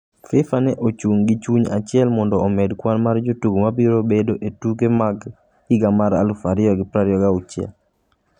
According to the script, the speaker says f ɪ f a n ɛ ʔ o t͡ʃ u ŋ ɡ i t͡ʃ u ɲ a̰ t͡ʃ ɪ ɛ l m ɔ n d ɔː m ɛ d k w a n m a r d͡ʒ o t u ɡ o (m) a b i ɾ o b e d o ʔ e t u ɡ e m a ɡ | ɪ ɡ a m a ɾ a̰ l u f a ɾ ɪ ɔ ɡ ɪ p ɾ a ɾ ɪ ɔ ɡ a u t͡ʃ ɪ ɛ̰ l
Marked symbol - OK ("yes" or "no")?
yes